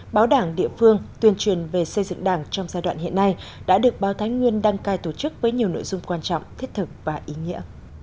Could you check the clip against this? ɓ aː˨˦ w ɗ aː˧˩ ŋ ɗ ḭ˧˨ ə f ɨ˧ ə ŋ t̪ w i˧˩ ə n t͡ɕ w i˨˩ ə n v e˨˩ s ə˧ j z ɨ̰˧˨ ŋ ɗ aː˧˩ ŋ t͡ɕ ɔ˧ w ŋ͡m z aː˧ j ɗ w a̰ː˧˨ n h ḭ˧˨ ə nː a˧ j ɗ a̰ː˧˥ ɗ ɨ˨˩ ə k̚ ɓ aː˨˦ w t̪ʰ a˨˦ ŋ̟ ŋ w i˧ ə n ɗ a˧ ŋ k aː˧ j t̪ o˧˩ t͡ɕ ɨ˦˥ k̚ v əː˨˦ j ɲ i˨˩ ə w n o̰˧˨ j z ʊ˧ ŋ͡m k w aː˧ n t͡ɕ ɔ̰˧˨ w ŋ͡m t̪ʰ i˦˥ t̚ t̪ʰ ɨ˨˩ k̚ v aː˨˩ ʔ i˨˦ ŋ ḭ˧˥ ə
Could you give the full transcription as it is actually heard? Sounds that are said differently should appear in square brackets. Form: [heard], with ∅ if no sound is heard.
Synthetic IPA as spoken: ɓ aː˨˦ w ɗ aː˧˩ ŋ ɗ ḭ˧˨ ə f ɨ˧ ə ŋ t̪ w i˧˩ ə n t͡ɕ w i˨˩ ə n v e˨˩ s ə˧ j z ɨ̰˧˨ ŋ ɗ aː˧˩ ŋ t͡ɕ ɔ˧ w ŋ͡m z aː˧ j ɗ w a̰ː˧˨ n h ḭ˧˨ ə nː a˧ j ɗ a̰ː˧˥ ɗ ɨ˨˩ ə k̚ ɓ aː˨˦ w t̪ʰ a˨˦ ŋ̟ ŋ w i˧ ə n ɗ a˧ ŋ k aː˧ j t̪ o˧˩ t͡ɕ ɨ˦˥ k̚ v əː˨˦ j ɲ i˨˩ ə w n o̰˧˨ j z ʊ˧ ŋ͡m k w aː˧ n t͡ɕ ɔ̰˧˨ w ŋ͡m t̪ʰ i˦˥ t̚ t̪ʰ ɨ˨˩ k̚ v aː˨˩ ʔ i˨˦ ŋ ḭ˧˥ ə